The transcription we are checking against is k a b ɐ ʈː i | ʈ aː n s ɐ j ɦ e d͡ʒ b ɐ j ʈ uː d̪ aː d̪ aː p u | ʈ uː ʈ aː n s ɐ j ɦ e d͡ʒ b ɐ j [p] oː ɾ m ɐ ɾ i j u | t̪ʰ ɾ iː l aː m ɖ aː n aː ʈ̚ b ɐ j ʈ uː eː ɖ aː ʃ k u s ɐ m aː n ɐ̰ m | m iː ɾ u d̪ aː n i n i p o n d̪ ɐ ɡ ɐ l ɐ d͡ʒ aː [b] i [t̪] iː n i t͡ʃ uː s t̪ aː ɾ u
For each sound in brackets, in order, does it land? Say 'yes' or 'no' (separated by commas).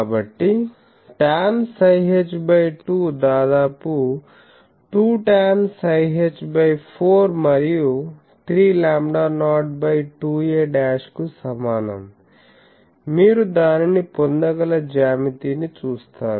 no, no, yes